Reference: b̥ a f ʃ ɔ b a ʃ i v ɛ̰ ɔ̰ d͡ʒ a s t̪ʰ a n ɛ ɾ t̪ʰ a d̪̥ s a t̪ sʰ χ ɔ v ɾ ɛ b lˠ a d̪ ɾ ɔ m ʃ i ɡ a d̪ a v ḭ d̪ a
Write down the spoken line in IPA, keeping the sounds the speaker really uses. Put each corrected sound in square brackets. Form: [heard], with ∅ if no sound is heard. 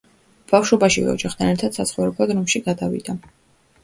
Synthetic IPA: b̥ a f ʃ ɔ b a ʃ i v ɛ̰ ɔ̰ d͡ʒ a [χ] t̪ʰ a n ɛ ɾ t̪ʰ a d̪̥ s a t̪ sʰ χ ɔ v ɾ ɛ b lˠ a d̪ ɾ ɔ m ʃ i ɡ a d̪ a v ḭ d̪ a